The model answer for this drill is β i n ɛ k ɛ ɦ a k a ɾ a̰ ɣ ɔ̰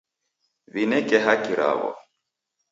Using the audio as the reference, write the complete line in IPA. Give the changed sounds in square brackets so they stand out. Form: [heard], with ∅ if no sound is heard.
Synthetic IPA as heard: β i n ɛ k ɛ ɦ a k [i] ɾ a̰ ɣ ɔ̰